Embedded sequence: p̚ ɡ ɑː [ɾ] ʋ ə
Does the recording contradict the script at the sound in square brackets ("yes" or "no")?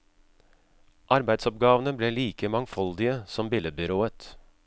yes